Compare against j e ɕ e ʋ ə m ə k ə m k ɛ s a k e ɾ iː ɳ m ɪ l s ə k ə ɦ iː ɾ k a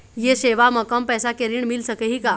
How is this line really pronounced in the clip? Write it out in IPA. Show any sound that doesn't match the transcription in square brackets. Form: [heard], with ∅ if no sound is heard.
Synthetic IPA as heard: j e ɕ e ʋ [a] m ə k ə m [p] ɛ s a k e ɾ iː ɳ m [i] l s ə k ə ɦ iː [∅] k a